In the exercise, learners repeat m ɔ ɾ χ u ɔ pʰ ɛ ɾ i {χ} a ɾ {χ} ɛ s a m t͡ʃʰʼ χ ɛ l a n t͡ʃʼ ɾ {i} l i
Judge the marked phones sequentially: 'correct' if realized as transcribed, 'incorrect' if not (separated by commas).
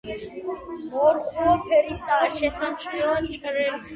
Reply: incorrect, incorrect, incorrect